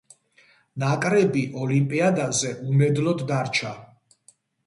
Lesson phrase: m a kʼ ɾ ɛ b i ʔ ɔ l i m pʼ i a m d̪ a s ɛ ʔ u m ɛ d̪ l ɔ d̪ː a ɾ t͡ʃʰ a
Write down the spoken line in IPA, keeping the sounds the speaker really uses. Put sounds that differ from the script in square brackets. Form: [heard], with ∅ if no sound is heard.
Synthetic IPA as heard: [n] a kʼ ɾ ɛ b i ʔ ɔ l i m pʼ i a [∅] d̪ a [z] ɛ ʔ u m ɛ d̪ l ɔ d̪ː a ɾ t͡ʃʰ a

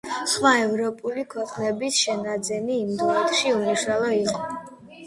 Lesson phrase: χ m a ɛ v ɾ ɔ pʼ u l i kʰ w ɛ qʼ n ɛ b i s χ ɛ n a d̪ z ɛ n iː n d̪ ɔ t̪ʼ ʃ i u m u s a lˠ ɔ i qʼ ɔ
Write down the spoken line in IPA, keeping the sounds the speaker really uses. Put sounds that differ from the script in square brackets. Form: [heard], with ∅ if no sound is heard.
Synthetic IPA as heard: χ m a ɛ v ɾ ɔ pʼ u l i kʰ w ɛ qʼ n ɛ b i s [ʃ] ɛ n a d̪ z ɛ n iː [m] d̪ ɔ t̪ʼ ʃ i u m u [ʃ] a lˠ ɔ i qʼ ɔ

